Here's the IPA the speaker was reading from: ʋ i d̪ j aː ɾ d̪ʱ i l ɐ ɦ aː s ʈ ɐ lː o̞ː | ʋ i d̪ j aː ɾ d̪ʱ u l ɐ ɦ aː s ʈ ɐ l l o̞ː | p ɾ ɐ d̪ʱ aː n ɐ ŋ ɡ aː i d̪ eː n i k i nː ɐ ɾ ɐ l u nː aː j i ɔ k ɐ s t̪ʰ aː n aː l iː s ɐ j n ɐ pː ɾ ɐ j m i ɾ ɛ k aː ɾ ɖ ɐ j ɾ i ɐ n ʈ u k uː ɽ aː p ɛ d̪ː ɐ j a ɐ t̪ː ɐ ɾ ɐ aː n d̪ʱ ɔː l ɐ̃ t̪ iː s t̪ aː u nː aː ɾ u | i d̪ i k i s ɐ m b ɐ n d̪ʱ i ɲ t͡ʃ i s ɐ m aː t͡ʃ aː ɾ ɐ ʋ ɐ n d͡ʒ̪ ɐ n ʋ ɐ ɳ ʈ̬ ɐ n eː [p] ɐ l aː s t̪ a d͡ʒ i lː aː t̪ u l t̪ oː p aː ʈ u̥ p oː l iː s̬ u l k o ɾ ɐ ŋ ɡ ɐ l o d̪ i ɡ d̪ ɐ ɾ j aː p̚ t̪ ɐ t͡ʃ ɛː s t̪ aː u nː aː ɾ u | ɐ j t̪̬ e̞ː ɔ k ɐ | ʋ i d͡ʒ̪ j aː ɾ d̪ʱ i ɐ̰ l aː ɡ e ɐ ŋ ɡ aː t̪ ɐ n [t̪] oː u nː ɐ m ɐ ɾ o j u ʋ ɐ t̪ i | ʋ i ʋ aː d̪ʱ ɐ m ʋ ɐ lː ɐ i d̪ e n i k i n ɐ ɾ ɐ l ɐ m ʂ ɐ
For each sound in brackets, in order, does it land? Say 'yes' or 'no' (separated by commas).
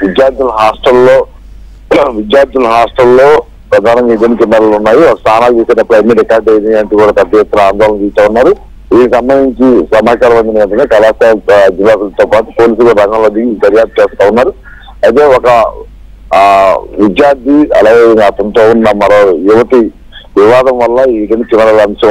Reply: no, yes